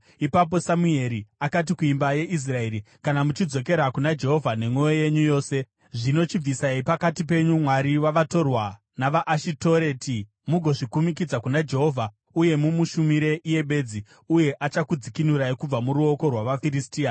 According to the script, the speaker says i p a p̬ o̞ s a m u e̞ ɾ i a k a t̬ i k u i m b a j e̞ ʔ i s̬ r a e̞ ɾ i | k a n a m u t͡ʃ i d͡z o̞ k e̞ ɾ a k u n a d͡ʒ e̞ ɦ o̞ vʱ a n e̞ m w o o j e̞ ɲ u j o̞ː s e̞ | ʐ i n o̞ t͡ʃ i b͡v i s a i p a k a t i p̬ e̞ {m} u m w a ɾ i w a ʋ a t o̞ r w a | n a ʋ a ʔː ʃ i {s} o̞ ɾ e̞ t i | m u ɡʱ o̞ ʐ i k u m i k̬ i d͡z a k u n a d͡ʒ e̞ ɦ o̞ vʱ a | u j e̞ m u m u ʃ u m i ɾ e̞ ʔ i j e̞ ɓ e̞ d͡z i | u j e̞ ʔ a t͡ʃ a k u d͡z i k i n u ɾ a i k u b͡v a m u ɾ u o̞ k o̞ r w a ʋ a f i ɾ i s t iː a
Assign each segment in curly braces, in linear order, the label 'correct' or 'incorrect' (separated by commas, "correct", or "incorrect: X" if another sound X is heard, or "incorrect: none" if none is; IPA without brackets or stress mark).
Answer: incorrect: ɲ, incorrect: t